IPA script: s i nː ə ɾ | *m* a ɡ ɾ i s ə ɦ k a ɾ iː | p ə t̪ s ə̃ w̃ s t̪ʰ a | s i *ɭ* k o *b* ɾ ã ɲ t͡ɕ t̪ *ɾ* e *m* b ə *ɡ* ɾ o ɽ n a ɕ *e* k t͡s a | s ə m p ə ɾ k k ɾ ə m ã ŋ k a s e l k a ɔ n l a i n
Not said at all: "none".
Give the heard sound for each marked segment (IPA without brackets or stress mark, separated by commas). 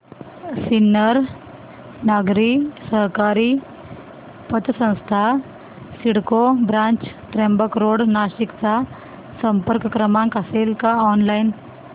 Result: n, ɽ, b, ɾ, m, k, i